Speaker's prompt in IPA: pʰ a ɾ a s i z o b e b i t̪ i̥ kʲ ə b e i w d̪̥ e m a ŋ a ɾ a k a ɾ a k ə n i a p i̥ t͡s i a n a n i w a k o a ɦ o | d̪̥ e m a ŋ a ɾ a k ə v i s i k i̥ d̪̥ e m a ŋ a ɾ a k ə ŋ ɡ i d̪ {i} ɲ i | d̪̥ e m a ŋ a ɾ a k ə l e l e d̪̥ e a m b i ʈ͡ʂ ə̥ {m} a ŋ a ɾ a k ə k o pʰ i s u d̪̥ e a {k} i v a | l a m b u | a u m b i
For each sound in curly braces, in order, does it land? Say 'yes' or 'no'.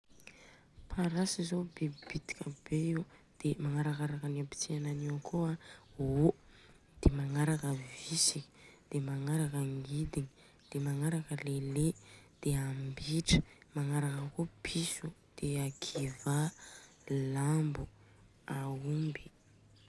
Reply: yes, yes, no

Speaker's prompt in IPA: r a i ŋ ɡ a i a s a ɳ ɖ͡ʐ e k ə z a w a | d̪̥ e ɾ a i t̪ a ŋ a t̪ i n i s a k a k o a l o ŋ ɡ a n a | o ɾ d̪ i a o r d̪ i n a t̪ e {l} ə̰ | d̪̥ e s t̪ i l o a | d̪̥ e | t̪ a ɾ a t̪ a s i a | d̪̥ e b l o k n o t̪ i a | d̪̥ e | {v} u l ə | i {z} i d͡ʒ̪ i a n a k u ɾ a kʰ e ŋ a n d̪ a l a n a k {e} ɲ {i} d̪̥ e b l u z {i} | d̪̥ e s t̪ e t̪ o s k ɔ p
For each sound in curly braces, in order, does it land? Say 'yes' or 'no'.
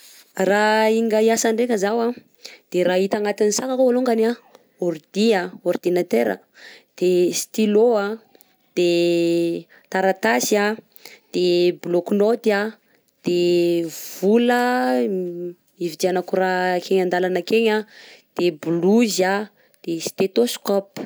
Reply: no, yes, no, yes, no, no

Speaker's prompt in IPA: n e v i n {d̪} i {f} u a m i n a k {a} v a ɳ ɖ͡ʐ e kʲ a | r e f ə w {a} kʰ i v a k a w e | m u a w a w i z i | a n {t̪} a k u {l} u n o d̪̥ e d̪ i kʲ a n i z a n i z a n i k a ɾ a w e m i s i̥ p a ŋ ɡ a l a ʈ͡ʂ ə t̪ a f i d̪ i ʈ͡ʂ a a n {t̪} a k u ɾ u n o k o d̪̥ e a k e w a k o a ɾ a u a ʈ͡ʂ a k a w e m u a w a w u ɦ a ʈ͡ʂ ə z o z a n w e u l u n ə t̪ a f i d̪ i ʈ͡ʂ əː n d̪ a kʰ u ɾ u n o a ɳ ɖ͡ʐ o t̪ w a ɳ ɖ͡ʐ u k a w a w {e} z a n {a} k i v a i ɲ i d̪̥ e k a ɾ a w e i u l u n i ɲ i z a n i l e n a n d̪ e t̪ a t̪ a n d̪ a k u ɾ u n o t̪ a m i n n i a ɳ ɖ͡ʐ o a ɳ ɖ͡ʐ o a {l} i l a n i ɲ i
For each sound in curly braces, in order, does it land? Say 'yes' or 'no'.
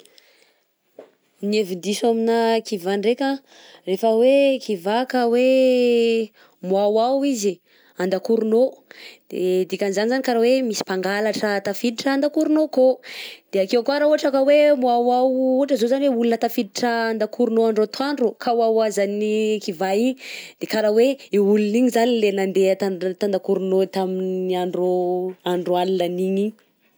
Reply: yes, no, no, no, no, no, no, no, no, yes

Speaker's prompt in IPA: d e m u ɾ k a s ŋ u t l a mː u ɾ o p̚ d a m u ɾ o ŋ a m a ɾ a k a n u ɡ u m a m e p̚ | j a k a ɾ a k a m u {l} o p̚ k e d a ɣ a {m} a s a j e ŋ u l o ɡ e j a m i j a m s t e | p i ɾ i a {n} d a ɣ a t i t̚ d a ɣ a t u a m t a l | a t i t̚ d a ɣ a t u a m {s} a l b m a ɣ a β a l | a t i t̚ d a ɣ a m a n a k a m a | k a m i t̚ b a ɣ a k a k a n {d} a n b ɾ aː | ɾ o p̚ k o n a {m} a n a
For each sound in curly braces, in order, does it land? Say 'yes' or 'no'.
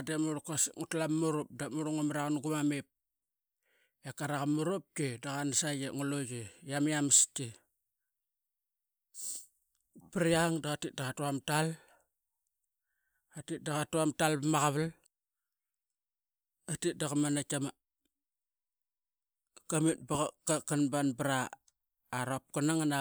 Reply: no, no, no, no, no, no

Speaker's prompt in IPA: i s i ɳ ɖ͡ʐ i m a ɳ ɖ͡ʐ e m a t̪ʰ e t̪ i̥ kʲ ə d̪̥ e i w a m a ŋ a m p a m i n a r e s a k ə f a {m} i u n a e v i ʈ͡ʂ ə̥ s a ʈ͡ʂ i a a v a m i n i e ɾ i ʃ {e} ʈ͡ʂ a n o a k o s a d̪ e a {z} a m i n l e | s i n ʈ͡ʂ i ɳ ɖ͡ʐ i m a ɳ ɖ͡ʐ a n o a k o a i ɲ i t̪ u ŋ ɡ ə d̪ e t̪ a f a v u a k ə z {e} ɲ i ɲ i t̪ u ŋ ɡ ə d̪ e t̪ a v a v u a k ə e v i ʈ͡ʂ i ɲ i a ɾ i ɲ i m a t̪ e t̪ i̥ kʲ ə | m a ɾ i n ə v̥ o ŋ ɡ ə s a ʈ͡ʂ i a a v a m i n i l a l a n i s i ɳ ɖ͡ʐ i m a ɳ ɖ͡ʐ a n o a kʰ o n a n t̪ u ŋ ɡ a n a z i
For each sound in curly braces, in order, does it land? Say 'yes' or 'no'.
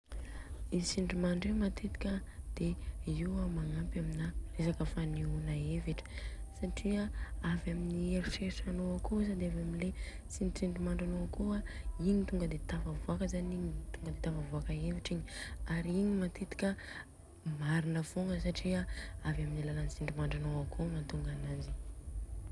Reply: no, yes, no, no

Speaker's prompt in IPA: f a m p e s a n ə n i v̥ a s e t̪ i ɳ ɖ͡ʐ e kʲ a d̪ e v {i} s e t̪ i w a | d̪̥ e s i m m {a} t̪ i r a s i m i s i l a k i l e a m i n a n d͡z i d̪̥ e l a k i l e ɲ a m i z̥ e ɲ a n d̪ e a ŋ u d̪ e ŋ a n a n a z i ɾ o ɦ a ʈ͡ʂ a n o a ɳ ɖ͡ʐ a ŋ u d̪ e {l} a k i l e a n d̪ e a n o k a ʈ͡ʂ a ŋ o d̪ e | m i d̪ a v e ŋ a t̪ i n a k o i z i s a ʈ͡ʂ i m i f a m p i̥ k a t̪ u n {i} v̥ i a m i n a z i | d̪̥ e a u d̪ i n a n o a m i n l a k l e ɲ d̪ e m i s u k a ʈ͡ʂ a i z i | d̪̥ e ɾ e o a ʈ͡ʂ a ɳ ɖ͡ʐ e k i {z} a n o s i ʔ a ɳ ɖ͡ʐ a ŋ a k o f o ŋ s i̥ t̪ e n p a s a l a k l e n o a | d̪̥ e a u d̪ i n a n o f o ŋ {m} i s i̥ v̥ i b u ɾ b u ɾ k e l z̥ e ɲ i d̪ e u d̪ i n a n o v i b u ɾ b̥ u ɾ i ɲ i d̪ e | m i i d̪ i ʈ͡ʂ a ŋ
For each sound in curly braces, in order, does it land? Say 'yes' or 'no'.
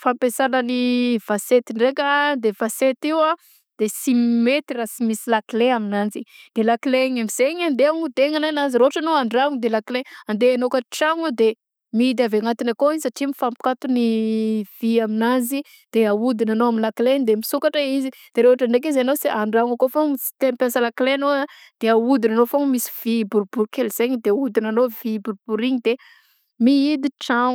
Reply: no, no, yes, yes, yes, yes

